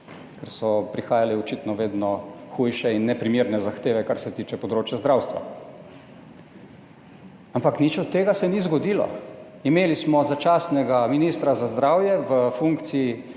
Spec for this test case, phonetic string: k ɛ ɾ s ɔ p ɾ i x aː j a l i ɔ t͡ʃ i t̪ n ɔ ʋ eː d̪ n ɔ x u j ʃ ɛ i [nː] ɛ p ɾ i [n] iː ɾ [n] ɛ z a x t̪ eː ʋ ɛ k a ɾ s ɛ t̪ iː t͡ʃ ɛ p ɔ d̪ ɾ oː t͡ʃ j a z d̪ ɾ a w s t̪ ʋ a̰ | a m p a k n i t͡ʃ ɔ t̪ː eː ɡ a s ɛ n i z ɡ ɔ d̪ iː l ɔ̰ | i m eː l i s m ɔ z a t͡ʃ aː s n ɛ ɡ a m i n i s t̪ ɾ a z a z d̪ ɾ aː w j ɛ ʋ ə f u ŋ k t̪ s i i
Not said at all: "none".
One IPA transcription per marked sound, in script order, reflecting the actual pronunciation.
nː, m, n

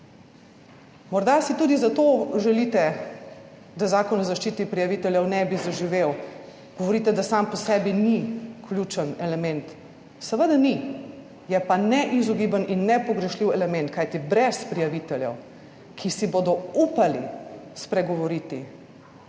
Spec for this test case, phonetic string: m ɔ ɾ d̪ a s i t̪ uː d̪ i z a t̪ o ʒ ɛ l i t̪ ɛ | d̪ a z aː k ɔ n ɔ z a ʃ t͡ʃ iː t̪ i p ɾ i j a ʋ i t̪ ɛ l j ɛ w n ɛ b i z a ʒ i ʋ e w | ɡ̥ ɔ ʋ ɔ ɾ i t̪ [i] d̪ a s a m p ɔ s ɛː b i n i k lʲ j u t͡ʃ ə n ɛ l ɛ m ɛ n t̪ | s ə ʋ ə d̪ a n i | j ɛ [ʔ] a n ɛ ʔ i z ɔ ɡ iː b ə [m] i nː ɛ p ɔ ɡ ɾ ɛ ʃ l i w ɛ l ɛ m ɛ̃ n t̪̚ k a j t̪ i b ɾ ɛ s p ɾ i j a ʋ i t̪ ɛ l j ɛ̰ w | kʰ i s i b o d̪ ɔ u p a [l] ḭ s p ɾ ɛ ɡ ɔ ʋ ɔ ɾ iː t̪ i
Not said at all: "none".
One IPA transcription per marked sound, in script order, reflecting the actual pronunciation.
ɛ, p, n, l

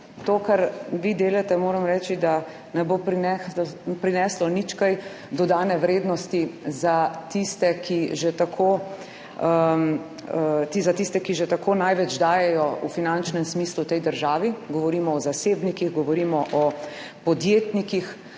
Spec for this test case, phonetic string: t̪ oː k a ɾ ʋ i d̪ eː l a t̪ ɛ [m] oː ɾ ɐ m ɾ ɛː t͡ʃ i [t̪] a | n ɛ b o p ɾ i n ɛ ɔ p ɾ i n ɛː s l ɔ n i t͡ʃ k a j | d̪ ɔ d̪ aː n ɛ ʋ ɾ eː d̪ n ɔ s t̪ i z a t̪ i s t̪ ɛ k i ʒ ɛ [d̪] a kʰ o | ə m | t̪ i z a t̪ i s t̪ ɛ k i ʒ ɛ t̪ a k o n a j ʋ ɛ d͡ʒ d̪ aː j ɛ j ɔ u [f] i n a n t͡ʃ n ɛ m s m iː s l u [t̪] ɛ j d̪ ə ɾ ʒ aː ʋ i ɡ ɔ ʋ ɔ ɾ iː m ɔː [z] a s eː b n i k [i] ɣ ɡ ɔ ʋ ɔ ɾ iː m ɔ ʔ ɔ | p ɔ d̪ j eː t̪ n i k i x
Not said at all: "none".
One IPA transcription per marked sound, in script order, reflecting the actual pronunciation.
m, d̪, t̪, f, t̪, z, i

